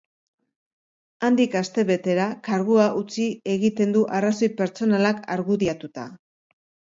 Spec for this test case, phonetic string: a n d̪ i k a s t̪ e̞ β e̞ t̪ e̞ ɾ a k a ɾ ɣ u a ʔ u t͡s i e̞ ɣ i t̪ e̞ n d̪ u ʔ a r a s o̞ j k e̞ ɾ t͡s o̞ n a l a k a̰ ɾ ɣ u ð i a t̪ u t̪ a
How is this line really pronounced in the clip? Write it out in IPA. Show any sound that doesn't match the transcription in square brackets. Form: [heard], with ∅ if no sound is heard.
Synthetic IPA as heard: a n d̪ i k a s t̪ e̞ β e̞ t̪ e̞ ɾ a k a ɾ ɣ u a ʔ u t͡s i e̞ ɣ i t̪ e̞ n d̪ u ʔ a r a s o̞ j [p] e̞ ɾ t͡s o̞ n a l a k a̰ ɾ ɣ u ð i a t̪ u t̪ a